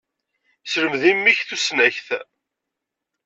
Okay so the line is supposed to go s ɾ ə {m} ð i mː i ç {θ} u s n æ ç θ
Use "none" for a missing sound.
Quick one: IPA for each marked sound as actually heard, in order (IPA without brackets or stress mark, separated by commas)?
m, θ